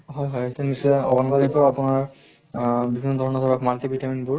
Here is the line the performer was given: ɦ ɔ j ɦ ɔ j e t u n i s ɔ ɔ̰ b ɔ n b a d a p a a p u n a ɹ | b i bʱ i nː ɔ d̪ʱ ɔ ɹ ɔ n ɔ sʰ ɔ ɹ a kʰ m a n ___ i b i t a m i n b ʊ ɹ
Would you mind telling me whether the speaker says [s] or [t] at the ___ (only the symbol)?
t